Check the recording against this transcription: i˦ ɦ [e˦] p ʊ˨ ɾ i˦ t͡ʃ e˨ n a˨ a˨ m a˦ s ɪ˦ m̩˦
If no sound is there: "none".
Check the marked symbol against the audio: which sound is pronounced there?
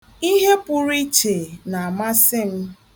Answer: e˦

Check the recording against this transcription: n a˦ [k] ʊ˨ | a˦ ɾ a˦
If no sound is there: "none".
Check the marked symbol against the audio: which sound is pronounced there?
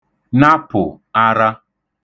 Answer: p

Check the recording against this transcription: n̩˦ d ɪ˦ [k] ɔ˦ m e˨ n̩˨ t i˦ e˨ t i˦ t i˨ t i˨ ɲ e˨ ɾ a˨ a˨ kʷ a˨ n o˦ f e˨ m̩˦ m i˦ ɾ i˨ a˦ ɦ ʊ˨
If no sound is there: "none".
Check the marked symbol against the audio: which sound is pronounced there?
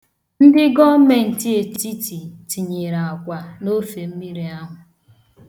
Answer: ɡ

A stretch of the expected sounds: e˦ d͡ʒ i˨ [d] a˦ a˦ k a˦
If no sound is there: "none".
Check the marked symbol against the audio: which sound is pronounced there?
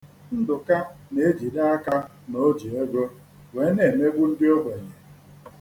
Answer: d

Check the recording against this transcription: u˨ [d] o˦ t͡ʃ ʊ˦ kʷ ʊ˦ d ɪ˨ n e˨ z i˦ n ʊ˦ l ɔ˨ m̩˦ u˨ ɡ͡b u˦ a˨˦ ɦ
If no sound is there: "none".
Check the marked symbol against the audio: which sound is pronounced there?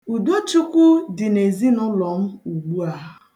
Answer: d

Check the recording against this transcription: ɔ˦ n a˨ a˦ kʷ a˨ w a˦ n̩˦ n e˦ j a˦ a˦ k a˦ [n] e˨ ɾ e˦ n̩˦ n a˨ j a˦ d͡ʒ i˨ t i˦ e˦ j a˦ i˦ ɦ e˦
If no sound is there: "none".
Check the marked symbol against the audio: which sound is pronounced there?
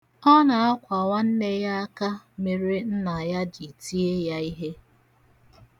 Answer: m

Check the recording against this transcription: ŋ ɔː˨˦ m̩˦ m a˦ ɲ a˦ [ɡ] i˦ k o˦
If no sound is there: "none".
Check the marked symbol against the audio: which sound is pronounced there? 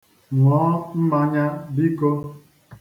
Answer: b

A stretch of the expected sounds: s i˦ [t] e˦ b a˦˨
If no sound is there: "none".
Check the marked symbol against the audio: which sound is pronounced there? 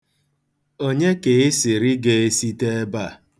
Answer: t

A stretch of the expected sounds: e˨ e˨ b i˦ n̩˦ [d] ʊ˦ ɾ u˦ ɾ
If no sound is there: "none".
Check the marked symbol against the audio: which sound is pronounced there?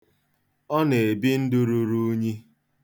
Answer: d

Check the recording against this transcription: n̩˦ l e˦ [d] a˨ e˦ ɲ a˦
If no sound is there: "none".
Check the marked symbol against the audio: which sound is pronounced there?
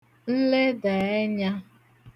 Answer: d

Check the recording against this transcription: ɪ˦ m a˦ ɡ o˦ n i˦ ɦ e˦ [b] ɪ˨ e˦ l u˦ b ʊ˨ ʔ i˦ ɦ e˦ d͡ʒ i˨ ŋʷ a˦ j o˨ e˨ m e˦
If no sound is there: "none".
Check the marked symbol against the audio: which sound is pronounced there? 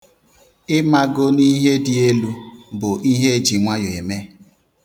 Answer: d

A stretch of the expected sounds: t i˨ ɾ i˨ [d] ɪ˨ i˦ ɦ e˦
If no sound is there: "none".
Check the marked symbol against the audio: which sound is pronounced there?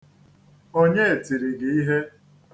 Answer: ɡ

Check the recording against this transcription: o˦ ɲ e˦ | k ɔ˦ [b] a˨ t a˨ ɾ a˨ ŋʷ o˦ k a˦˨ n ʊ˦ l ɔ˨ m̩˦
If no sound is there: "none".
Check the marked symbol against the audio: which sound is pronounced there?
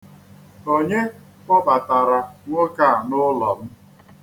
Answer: b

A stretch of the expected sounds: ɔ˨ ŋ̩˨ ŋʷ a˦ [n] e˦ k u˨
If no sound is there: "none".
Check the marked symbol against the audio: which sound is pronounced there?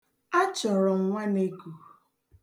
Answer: n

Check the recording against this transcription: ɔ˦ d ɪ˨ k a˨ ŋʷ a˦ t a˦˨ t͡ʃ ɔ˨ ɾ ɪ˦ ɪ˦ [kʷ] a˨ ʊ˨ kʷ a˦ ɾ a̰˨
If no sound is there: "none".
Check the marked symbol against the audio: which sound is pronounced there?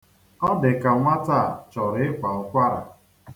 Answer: kʷ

